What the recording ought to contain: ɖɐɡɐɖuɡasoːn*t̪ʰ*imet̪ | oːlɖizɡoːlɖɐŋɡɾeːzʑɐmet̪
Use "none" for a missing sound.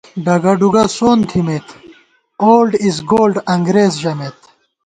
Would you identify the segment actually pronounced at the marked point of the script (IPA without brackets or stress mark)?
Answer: t̪ʰ